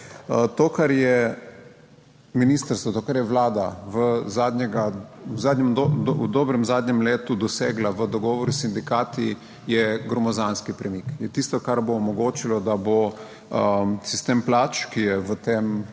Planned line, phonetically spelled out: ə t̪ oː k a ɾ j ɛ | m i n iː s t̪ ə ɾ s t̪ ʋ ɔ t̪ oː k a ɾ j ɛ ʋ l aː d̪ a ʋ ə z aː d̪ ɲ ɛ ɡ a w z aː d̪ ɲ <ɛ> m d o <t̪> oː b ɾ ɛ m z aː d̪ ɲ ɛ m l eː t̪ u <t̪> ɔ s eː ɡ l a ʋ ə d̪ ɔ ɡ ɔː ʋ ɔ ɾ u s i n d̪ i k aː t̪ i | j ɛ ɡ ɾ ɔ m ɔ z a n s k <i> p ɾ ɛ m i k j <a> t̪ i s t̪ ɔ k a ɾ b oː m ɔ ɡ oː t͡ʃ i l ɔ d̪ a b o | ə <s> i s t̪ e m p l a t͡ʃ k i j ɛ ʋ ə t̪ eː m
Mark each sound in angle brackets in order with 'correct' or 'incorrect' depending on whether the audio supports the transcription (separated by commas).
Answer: correct, incorrect, incorrect, correct, incorrect, correct